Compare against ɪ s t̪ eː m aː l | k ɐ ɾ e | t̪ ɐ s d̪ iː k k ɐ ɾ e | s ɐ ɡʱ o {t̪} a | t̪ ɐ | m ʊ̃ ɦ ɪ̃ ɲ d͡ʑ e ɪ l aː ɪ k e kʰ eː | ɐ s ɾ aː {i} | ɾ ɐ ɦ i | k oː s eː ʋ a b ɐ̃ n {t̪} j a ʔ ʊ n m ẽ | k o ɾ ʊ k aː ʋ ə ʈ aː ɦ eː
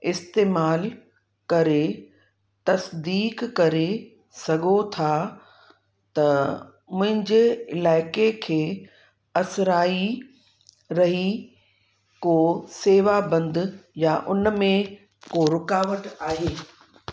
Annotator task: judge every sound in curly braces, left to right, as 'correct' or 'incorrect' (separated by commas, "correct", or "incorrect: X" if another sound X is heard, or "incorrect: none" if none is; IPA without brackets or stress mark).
incorrect: t̪ʰ, correct, incorrect: d̪